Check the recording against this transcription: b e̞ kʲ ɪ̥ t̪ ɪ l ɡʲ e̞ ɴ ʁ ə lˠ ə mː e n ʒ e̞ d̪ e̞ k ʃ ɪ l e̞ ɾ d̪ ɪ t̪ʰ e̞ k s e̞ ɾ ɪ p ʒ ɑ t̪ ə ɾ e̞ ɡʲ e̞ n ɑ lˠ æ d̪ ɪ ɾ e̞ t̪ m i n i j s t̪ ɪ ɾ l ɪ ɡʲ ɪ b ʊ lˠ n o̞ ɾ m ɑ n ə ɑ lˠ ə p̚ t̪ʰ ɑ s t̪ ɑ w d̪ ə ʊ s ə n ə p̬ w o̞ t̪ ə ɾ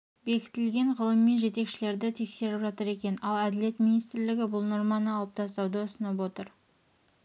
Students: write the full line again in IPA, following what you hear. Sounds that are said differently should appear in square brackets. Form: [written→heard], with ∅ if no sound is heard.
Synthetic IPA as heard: b e̞ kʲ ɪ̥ t̪ ɪ l ɡʲ e̞ ɴ ʁ ə lˠ ə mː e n ʒ e̞ [d̪→t̪] e̞ k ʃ ɪ l e̞ ɾ d̪ ɪ t̪ʰ e̞ k s e̞ ɾ ɪ p ʒ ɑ t̪ ə ɾ e̞ [ɡʲ→kʲ] e̞ n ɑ lˠ æ d̪ ɪ [ɾ→l] e̞ t̪ m i n i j s t̪ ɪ ɾ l ɪ ɡʲ ɪ b ʊ lˠ n o̞ ɾ m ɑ n ə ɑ lˠ ə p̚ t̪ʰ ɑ s t̪ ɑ w d̪ ə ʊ s ə n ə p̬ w o̞ t̪ ə ɾ